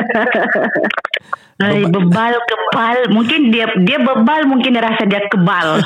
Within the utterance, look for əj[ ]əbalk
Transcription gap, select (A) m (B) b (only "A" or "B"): B